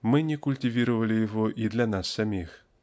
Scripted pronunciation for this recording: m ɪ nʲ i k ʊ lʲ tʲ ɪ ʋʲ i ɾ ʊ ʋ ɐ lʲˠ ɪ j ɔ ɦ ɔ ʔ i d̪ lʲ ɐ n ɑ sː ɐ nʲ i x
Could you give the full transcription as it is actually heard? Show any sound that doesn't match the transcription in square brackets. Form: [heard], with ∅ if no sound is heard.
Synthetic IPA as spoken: m ɪ nʲ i k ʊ lʲ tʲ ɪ ʋʲ i ɾ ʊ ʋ ɐ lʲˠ ɪ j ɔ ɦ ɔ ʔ i d̪ lʲ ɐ n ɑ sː ɐ [mʲ] i x